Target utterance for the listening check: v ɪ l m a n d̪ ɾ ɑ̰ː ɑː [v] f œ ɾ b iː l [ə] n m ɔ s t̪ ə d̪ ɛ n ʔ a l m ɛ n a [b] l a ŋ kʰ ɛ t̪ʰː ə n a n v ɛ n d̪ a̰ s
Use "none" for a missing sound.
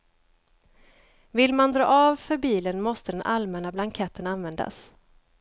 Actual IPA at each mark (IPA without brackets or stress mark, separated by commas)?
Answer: v, ə, b